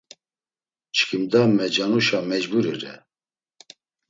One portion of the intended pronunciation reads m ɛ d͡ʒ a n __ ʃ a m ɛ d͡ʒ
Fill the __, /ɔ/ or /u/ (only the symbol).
u